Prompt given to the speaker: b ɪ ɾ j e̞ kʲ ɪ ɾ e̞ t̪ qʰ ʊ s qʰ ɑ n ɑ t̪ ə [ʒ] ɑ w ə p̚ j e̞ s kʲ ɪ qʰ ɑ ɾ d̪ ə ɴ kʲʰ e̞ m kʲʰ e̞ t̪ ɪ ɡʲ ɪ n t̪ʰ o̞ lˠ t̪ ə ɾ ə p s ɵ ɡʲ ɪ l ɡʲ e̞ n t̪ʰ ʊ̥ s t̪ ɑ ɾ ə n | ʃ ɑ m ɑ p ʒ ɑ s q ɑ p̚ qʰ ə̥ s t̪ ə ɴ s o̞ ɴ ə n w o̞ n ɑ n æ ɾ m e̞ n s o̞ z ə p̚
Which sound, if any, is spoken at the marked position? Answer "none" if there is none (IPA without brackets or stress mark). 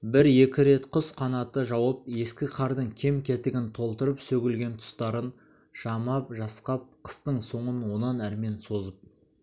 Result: ʒ